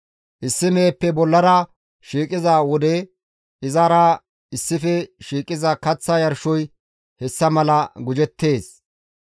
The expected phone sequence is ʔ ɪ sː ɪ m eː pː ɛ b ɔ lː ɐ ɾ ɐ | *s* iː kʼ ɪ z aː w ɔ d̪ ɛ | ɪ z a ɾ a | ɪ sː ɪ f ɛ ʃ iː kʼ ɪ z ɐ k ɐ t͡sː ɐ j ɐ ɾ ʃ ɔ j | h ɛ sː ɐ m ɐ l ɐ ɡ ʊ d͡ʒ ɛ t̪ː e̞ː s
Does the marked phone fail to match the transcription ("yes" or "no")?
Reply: yes